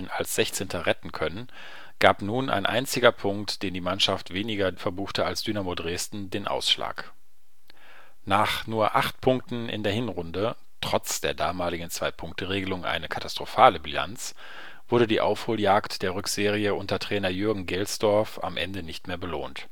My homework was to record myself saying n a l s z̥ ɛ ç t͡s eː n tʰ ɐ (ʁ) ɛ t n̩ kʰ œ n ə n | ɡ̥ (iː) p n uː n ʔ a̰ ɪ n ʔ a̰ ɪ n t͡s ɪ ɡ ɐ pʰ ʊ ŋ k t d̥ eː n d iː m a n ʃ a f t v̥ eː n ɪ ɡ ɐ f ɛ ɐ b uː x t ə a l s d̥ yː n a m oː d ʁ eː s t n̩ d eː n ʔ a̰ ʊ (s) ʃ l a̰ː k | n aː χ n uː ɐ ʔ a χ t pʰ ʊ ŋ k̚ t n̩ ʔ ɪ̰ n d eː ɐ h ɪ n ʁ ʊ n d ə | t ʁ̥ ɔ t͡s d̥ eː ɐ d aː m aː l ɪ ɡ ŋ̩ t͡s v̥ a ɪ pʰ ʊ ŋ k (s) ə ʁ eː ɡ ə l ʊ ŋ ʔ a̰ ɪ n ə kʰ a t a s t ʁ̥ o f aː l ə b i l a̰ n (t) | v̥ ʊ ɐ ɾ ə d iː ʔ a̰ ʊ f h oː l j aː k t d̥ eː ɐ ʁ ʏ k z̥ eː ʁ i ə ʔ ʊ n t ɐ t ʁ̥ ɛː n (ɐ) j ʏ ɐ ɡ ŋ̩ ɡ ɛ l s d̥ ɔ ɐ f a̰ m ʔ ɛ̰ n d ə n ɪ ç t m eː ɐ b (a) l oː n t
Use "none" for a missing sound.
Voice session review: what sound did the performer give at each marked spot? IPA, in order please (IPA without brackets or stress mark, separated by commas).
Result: ʁ, aː, s, t, t͡s, ɐ, ə